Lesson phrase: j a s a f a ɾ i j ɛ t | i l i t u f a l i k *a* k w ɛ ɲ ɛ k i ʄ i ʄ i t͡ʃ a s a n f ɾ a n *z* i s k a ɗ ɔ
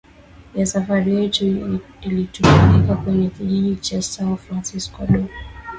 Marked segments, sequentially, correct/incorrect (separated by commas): correct, incorrect